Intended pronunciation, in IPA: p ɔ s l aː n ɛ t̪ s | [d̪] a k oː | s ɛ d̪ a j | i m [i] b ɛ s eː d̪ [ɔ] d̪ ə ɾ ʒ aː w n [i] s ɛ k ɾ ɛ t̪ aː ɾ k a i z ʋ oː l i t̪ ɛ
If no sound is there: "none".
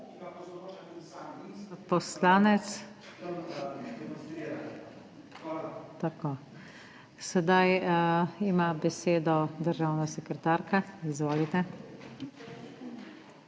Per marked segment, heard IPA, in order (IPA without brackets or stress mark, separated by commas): t̪, a, ɔ, a